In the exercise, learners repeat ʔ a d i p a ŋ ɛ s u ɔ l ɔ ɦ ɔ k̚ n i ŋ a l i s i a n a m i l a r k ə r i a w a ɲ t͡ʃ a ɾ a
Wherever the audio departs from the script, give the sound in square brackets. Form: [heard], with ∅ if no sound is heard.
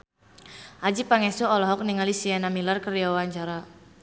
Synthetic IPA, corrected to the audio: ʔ a [d͡ʒ] i p a ŋ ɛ s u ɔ l ɔ ɦ ɔ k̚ n i ŋ a l i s i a n a m i l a r k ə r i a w a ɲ t͡ʃ a ɾ a